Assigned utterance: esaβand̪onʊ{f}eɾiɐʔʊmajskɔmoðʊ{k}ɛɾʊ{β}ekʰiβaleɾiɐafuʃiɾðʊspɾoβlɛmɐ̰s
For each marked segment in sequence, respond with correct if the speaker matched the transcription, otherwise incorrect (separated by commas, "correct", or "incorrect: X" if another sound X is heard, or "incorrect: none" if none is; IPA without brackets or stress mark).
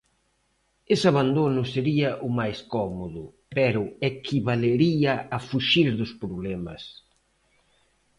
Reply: incorrect: s, incorrect: p, incorrect: none